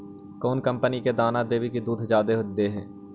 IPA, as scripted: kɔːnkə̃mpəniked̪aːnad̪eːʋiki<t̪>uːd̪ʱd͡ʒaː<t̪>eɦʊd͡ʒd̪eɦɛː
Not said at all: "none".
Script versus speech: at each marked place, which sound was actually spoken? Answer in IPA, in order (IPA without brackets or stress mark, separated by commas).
d̪, d̪